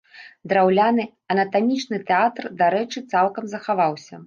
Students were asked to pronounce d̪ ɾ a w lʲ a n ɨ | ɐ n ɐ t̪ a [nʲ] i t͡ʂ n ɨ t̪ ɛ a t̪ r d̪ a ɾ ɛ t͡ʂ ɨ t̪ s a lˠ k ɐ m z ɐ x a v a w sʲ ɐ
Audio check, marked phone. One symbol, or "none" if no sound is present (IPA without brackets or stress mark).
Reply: mʲ